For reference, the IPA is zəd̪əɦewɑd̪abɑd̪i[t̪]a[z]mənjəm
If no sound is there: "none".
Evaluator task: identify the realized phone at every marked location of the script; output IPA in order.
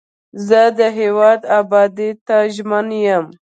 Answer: t̪, ʒ

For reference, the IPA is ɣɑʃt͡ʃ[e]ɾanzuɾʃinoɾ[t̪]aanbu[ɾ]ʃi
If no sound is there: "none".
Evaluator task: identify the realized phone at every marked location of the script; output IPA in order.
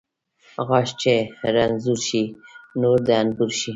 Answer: e, d̪, ɾ

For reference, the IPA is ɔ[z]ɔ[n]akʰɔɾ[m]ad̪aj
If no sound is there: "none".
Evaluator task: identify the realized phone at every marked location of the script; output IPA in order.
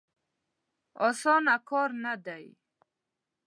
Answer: s, n, n

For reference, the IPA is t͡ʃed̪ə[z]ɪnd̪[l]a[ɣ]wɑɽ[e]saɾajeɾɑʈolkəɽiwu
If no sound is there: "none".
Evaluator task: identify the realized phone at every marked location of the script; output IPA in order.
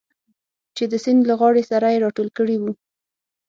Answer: s, l, ɣ, e

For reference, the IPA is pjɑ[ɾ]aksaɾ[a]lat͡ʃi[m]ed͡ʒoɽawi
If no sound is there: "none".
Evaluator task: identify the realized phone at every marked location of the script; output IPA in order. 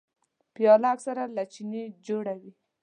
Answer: l, a, n

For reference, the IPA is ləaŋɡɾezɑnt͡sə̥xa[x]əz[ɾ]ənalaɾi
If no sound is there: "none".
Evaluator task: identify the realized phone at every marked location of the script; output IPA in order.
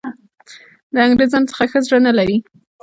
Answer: x, ɽ

